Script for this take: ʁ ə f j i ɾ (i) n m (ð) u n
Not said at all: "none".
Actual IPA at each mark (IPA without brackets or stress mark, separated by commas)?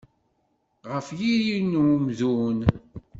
i, ð